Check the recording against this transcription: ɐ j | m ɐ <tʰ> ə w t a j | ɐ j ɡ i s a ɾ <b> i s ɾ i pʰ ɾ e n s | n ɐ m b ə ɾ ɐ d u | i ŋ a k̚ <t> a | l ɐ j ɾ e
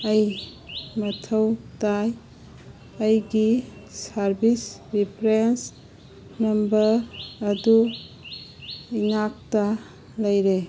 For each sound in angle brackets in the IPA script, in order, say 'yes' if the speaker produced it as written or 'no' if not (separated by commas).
yes, yes, yes